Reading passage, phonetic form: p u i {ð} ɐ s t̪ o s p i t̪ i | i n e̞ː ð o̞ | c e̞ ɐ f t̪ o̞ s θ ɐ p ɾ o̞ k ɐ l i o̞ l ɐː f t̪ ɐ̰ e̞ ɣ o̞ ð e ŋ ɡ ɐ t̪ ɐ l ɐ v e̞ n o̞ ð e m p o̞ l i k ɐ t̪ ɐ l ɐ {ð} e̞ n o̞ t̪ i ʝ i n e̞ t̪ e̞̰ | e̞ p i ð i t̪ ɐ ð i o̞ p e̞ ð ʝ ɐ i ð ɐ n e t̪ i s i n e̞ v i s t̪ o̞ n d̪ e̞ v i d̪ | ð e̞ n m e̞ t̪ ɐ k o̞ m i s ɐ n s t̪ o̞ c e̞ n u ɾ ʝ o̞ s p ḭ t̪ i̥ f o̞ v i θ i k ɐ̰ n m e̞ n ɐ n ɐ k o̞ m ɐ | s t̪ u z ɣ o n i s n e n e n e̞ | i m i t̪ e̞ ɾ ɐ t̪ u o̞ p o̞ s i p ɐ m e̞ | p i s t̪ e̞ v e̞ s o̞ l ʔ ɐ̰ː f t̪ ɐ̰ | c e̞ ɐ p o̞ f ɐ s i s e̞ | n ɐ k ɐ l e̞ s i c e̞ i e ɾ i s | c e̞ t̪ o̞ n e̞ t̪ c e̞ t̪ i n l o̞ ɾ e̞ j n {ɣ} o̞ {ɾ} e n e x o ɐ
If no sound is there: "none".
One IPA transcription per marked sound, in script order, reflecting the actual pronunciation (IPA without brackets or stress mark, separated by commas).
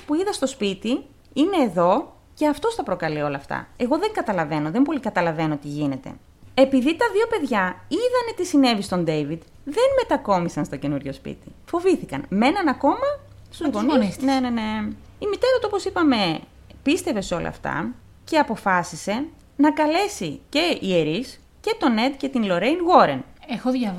ð, v, ɣ, ɾ